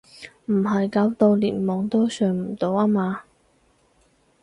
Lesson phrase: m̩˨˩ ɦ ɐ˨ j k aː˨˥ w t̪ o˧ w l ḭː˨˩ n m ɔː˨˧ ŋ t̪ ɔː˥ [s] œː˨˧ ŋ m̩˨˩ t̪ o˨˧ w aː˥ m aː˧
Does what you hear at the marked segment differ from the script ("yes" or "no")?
no